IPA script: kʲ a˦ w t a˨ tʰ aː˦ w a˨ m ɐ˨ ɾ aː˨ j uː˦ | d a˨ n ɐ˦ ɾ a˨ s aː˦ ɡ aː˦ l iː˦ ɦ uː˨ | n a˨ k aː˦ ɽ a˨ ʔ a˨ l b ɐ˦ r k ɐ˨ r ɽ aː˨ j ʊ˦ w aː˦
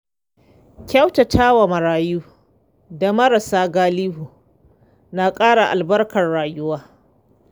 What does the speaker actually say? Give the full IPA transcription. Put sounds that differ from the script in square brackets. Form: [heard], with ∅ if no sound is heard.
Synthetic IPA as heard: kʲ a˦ w t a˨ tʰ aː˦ w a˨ m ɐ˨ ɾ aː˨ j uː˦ | d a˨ [m] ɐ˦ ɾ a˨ s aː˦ ɡ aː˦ l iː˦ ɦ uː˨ | n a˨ [kʼ] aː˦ ɽ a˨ ʔ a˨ l b ɐ˦ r k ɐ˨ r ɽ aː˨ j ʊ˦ w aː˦